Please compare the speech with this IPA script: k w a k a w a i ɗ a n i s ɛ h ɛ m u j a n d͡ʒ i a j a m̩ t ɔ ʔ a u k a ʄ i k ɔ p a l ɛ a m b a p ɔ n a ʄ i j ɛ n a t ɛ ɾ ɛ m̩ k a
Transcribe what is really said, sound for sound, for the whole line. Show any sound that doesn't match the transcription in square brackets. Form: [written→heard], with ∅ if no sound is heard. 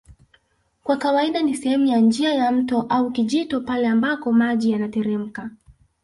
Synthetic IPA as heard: k w a k a w a i ɗ a n i s ɛ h ɛ m u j a n d͡ʒ i a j a m̩ t ɔ ʔ a u k [a→i] ʄ i [k→t] ɔ p a l ɛ a m b a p ɔ [n→m] a ʄ i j [ɛ→a] n a t ɛ ɾ ɛ m̩ k a